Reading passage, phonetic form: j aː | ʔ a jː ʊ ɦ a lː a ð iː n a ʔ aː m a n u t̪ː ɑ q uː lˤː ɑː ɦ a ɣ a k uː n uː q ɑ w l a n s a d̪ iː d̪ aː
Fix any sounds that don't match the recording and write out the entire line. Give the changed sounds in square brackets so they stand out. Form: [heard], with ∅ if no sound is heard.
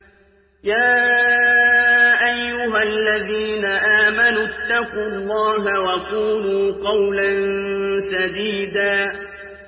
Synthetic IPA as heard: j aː | ʔ a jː ʊ ɦ a lː a ð iː n a ʔ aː m a n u t̪ː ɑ q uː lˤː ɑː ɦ a [w] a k uː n uː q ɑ w l a n s a d̪ iː d̪ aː